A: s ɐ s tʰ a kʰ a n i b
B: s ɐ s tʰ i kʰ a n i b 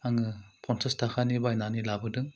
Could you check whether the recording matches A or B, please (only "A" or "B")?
A